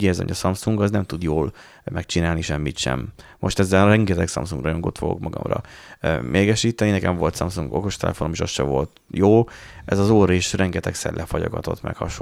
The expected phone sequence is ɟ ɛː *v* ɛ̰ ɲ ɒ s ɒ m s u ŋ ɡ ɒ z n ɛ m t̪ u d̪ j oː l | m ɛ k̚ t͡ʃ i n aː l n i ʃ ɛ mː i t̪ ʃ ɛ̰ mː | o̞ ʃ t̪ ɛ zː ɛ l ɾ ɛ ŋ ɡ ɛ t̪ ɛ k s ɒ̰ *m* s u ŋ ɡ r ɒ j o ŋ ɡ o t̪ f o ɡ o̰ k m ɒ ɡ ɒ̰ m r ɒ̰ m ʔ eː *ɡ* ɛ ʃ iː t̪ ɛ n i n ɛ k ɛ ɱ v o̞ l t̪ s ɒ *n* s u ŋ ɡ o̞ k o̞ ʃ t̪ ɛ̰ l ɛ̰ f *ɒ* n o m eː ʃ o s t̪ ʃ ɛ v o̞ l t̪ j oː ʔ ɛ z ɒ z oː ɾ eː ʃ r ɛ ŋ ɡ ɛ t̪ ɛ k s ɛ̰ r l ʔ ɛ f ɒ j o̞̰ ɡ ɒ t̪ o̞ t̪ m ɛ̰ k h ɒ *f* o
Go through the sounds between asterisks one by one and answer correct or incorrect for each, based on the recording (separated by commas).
incorrect, correct, correct, incorrect, incorrect, incorrect